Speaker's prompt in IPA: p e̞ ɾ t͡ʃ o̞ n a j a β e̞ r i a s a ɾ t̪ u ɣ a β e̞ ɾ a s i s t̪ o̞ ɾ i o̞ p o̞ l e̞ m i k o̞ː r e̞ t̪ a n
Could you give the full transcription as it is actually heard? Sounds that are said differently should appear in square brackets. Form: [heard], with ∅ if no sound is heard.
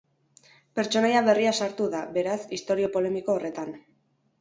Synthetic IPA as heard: p e̞ ɾ t͡ʃ o̞ n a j a β e̞ r i a s a ɾ t̪ u [ð] a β e̞ ɾ a s i s t̪ o̞ ɾ i o̞ p o̞ l e̞ m i k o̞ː r e̞ t̪ a n